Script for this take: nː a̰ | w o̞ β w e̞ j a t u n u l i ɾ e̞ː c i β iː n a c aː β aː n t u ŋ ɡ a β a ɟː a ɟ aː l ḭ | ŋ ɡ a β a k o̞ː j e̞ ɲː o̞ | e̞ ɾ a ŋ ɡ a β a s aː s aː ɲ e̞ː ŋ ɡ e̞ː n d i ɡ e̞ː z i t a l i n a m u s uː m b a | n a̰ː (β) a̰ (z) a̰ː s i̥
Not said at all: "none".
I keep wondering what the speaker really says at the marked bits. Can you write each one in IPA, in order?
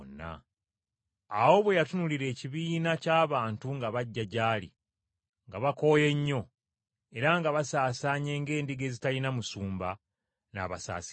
β, s

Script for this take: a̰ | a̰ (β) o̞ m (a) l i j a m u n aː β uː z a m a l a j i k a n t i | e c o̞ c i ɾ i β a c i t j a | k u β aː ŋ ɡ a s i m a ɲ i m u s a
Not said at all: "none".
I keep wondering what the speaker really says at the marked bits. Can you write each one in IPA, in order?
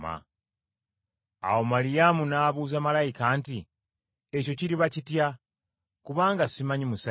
w, a

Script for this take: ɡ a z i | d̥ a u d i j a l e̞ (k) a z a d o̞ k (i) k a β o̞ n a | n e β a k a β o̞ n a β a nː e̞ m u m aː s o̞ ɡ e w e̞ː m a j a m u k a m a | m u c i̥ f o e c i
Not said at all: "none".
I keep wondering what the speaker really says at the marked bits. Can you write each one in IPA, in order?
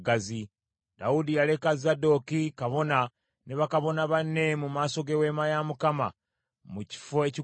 k, i

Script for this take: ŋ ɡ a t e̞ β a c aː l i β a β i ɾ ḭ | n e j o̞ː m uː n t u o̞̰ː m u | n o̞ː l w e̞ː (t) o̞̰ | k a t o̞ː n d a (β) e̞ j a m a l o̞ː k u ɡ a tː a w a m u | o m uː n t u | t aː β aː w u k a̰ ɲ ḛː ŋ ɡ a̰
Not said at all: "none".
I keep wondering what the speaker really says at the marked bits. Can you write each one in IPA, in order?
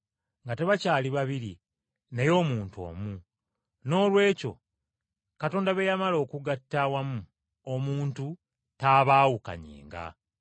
c, β

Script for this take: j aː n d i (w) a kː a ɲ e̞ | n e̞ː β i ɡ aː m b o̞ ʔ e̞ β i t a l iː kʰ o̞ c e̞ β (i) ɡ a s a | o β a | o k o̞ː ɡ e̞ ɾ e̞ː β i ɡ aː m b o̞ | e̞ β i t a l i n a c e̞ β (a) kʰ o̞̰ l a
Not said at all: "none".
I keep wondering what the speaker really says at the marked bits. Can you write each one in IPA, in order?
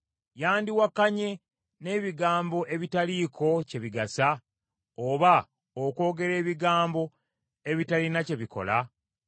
w, i, i

